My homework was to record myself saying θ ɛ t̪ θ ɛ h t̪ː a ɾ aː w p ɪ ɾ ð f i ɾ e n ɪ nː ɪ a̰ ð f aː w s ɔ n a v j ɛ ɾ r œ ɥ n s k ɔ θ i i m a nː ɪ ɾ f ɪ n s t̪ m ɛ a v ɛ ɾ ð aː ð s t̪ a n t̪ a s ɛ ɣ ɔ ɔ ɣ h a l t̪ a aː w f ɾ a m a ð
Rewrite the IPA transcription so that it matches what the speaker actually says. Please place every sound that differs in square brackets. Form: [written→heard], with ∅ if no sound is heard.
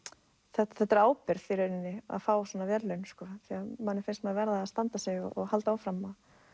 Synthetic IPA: θ ɛ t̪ θ ɛ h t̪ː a ɾ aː w p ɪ ɾ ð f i ɾ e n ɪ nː ɪ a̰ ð f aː w s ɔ n a v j ɛ ɾ [r→l] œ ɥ n s k ɔ θ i [i→a] m a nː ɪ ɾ f ɪ n s t̪ m ɛ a v ɛ ɾ ð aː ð s t̪ a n t̪ a s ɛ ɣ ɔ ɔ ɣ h a l t̪ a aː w f ɾ a m a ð